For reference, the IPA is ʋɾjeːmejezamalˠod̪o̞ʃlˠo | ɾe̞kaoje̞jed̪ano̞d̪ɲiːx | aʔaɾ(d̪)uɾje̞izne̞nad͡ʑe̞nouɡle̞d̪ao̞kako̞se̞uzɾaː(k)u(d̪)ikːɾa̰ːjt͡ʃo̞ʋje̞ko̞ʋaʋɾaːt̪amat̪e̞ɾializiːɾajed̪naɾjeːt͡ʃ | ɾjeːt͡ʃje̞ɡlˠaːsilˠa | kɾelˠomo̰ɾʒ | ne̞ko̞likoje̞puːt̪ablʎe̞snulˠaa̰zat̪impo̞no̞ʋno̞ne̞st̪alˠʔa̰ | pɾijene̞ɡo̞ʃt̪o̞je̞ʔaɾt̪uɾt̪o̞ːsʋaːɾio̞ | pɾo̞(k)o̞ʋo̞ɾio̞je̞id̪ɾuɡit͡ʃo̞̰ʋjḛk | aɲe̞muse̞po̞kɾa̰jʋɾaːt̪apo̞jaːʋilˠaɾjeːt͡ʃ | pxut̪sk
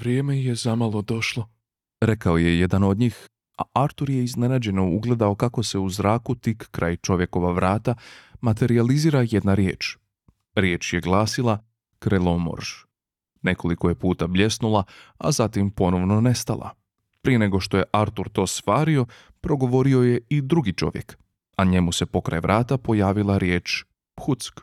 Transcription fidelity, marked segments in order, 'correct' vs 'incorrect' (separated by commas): incorrect, correct, incorrect, incorrect